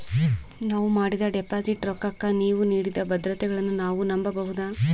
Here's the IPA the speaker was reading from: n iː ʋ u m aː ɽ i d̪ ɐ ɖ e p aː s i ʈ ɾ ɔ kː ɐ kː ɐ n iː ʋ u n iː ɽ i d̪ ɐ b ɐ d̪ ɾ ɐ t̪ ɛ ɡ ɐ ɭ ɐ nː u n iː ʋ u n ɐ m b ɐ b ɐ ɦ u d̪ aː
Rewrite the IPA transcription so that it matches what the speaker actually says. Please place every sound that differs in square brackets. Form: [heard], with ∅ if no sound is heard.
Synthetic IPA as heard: n [aː] ʋ u m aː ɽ i d̪ ɐ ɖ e p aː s i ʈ ɾ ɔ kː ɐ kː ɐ n iː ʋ u n iː ɽ i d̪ ɐ b ɐ d̪ ɾ ɐ t̪ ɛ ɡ ɐ ɭ ɐ nː u n [aː] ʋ u n ɐ m b ɐ b ɐ ɦ u d̪ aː